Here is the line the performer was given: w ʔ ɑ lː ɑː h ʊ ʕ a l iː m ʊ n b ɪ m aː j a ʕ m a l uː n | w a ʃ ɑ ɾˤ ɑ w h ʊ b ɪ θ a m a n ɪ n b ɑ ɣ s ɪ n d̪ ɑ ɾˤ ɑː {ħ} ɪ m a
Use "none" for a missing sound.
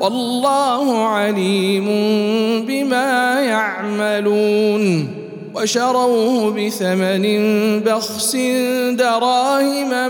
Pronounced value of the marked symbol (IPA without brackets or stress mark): h